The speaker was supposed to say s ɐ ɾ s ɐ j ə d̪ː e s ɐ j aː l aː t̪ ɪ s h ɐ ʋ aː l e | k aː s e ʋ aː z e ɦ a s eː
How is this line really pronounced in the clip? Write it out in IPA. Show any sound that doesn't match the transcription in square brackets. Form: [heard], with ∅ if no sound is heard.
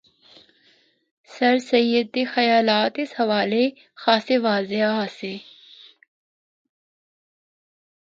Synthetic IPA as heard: s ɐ ɾ s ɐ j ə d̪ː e [x] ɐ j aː l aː t̪ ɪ s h ɐ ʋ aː l e | [x] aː s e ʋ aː z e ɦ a s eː

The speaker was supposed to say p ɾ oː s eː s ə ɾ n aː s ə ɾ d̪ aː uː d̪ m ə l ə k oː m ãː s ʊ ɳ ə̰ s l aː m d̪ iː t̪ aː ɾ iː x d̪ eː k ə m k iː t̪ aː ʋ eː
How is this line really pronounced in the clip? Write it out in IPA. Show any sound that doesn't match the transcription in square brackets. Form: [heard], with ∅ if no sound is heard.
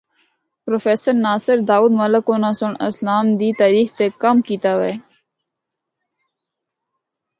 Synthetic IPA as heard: p ɾ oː [f] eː s ə ɾ n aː s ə ɾ d̪ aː uː d̪ m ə l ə k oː [n] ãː s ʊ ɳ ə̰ s l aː m d̪ iː t̪ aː ɾ iː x [t̪] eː k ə m k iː t̪ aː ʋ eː

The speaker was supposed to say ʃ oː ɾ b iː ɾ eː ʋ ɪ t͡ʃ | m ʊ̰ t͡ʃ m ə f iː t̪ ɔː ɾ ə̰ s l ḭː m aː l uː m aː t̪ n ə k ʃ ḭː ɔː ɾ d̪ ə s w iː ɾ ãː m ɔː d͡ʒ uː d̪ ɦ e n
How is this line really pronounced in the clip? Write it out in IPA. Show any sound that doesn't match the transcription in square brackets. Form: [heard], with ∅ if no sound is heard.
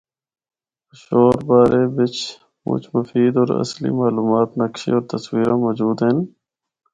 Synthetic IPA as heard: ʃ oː ɾ b [aː] ɾ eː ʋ ɪ t͡ʃ | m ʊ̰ t͡ʃ m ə f iː [d̪] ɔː ɾ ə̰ s l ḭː m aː l uː m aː t̪ n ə k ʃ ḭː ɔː ɾ [t̪] ə s w iː ɾ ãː m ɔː d͡ʒ uː d̪ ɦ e n

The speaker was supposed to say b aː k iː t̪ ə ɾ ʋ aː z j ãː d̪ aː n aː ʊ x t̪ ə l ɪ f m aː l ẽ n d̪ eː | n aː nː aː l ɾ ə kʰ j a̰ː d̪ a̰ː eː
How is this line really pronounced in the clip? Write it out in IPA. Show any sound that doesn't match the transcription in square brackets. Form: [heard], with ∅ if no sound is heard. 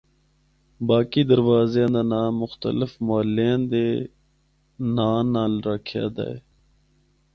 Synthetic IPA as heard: b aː k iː [d̪] ə ɾ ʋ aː z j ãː d̪ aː n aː ʊ x t̪ ə l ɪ f m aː l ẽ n d̪ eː | n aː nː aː l ɾ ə kʰ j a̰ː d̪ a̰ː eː

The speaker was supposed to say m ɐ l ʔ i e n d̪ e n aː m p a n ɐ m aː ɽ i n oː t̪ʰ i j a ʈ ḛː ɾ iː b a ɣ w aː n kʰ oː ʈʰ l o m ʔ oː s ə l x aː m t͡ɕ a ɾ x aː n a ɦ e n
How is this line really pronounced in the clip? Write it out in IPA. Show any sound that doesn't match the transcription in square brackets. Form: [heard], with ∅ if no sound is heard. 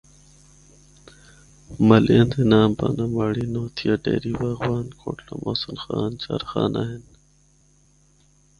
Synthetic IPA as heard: m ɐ l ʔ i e n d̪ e n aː m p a n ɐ m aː ɽ i n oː t̪ʰ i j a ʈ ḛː ɾ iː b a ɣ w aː n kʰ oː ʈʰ l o m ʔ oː s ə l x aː [n] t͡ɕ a ɾ x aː n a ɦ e n

